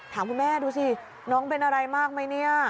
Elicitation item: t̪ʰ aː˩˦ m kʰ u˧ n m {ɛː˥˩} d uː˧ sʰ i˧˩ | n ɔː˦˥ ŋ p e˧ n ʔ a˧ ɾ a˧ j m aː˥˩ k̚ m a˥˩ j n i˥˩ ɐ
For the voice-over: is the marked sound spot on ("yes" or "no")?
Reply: yes